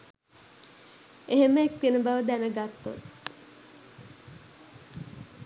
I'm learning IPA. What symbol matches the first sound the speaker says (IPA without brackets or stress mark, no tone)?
e